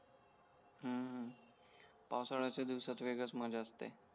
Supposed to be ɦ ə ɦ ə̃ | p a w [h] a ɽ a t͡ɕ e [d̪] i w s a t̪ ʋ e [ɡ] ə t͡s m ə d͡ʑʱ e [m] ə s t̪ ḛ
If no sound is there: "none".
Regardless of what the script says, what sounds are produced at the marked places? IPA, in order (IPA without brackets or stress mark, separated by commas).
s, d̪, ɡ, none